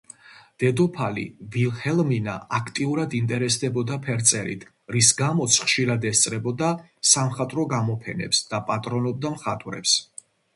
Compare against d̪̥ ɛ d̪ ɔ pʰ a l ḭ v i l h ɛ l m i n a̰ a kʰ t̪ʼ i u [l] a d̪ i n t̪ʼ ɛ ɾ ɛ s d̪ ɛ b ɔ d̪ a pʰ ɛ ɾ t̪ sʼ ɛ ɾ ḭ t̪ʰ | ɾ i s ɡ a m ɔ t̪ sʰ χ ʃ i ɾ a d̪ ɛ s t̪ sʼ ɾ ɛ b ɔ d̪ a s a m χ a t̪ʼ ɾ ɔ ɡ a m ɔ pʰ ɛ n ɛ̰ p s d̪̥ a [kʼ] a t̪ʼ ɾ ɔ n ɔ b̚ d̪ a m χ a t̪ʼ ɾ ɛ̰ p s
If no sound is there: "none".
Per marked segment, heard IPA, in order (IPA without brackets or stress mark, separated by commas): ɾ, pʼ